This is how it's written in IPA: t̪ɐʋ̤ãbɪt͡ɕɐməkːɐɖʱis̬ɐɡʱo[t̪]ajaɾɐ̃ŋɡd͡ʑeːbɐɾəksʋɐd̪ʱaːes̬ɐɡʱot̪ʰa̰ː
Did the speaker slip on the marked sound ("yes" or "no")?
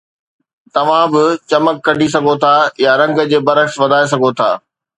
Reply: yes